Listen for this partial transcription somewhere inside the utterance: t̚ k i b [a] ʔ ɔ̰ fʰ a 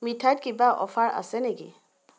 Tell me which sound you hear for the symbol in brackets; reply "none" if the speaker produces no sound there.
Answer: a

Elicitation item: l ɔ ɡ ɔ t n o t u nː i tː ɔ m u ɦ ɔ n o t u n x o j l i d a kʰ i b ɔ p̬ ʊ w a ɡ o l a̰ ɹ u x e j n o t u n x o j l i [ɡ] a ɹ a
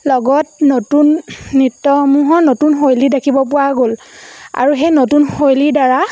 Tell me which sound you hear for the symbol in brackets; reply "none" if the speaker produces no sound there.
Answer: d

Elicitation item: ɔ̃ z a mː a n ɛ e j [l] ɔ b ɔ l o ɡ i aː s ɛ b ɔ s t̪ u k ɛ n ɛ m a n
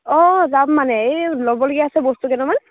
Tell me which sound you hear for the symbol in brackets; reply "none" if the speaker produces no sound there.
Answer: l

